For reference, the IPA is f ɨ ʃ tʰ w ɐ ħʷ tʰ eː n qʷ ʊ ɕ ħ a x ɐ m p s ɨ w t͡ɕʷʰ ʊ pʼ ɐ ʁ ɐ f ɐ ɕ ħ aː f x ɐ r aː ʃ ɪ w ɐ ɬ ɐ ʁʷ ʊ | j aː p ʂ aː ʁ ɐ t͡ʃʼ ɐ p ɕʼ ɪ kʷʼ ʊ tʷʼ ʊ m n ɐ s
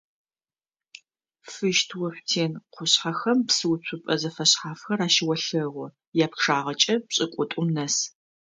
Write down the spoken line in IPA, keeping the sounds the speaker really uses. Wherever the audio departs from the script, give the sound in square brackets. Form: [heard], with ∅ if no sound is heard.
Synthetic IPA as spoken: f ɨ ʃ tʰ w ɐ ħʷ tʰ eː n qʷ ʊ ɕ ħ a x ɐ m p s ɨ w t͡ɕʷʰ ʊ pʼ ɐ [z] ɐ f ɐ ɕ ħ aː f x ɐ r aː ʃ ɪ w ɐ ɬ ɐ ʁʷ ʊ | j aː p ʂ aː ʁ ɐ t͡ʃʼ ɐ p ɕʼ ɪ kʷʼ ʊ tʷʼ ʊ m n ɐ s